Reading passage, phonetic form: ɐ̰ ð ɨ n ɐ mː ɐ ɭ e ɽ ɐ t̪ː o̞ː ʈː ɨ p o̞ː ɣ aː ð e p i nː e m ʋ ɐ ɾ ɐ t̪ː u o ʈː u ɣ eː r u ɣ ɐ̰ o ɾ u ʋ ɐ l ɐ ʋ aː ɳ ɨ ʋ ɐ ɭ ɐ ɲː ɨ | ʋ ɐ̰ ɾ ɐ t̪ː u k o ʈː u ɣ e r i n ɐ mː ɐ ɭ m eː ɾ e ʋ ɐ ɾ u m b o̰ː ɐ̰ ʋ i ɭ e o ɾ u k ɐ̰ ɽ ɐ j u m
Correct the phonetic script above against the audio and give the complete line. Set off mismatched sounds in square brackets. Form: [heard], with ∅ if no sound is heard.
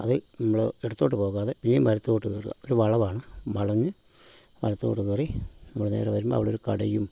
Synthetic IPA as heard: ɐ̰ ð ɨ n ɐ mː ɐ ɭ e ɽ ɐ t̪ː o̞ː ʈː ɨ p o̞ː ɣ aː ð e p i nː e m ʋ ɐ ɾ ɐ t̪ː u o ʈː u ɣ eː r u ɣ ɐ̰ o ɾ u ʋ ɐ [ɭ] ɐ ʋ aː ɳ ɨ ʋ ɐ ɭ ɐ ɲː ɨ | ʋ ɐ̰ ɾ ɐ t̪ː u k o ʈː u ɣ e r i n ɐ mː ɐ ɭ [n] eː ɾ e ʋ ɐ ɾ u m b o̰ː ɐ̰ ʋ i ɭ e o ɾ u k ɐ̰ ɽ ɐ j u m